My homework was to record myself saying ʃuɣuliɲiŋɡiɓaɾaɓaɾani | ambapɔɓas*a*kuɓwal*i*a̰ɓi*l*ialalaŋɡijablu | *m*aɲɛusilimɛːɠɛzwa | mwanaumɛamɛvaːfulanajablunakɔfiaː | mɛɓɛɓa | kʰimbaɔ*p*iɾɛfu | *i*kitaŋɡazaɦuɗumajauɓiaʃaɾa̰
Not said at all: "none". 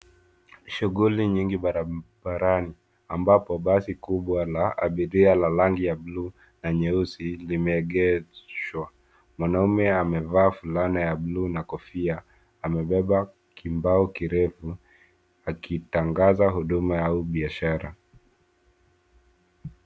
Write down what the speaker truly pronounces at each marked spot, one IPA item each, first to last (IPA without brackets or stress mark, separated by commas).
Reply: i, a, ɾ, n, k, a